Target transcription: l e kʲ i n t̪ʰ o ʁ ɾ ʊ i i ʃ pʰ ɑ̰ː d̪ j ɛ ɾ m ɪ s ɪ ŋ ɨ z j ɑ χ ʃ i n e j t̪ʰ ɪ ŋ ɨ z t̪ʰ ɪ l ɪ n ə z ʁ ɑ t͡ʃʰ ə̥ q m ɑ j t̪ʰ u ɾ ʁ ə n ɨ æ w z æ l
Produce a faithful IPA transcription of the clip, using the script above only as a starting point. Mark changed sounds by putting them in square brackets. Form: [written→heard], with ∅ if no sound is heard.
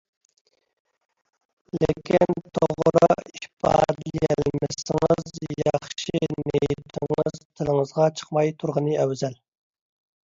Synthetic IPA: l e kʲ i n t̪ʰ o ʁ ɾ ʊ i i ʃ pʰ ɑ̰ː d̪ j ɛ [ɾ→l] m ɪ s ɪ ŋ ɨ z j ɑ χ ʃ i n e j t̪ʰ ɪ ŋ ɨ z t̪ʰ ɪ l ɪ [n→ŋ] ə z ʁ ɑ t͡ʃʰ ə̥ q m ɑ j t̪ʰ u ɾ ʁ ə n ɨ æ w z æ l